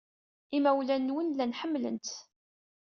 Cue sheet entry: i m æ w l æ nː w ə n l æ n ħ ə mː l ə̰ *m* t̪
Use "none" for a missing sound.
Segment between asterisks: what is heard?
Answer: n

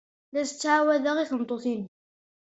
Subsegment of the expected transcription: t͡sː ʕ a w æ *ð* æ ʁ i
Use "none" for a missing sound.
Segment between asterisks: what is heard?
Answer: ð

